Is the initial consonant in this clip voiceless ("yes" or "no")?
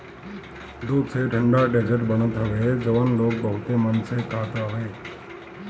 no